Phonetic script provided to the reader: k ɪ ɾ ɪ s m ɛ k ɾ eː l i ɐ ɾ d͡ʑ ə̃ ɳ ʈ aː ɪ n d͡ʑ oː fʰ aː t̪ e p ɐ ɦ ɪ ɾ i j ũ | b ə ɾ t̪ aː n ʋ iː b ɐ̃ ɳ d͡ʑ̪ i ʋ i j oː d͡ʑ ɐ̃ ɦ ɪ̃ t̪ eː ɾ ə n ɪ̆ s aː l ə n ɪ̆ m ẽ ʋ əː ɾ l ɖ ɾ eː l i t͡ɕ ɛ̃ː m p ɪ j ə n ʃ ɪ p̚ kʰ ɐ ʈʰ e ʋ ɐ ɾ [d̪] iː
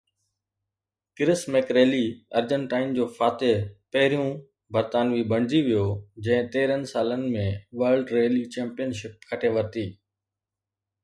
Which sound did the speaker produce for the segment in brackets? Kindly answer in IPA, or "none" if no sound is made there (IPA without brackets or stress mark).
t̪